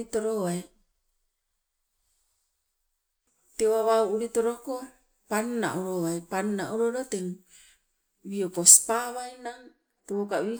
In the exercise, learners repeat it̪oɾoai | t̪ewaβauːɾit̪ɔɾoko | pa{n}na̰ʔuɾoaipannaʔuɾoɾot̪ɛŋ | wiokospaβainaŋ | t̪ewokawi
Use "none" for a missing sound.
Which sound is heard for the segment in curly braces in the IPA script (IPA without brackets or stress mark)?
n